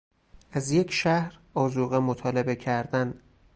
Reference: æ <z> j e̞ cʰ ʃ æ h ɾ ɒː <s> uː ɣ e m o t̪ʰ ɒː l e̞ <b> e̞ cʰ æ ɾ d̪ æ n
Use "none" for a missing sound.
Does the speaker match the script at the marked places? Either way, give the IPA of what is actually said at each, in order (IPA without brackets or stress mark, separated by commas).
z, z, b